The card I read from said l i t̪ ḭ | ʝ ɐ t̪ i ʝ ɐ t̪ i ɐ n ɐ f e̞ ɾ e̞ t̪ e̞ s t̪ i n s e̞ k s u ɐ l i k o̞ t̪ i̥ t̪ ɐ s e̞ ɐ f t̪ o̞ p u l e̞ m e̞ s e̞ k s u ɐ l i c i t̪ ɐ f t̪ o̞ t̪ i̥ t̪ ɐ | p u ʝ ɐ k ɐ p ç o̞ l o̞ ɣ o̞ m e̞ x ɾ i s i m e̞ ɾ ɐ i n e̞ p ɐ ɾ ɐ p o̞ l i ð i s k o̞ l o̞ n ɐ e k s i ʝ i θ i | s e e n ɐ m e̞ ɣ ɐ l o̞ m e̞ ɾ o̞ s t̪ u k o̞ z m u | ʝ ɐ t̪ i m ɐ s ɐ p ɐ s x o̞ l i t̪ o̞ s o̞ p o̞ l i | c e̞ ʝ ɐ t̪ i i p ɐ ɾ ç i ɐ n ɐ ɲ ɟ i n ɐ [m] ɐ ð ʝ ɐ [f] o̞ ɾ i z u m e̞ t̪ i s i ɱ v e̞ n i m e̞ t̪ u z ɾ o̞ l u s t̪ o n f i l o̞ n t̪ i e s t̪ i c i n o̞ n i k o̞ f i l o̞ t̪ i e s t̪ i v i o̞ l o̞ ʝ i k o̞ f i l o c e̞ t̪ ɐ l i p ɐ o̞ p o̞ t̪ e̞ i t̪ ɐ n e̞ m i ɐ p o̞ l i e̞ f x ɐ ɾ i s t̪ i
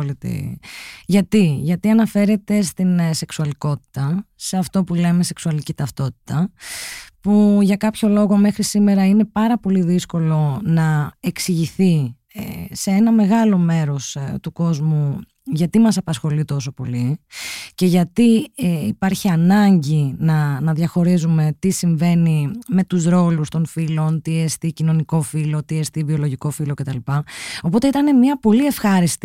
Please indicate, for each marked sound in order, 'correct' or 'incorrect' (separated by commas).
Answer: incorrect, incorrect